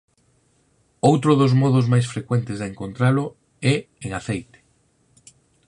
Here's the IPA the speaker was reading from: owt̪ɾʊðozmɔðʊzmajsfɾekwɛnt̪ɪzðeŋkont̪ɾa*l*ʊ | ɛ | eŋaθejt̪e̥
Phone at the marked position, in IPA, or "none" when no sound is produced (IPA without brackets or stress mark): l